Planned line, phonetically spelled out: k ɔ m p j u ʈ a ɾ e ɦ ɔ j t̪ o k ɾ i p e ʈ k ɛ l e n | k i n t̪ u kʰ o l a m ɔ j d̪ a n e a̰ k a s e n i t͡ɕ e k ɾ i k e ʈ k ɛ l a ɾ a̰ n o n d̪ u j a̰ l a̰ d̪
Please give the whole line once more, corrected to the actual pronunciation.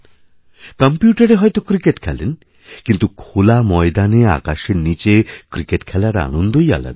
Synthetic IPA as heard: k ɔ m p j u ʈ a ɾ e ɦ ɔ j t̪ o k ɾ i k e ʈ kʰ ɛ l e n | k i n t̪ u kʰ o l a m ɔ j d̪ a n e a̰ k a ʃ e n i t͡ɕ e k ɾ i k e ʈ kʰ ɛ l a ɾ a̰ n o n d̪ o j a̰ l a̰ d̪